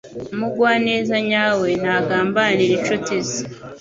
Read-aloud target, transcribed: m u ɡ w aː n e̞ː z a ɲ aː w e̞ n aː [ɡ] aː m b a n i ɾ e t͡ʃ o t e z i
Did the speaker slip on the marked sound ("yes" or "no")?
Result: no